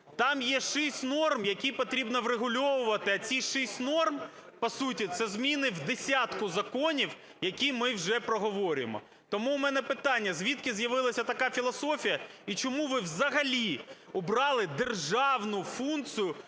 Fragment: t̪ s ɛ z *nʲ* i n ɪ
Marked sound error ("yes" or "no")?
yes